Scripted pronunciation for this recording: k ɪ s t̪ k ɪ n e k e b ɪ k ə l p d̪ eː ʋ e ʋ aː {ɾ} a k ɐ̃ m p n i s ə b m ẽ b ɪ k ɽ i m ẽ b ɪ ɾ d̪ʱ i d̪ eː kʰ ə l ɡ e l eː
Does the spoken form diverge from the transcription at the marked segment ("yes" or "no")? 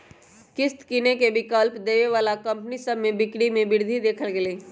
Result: yes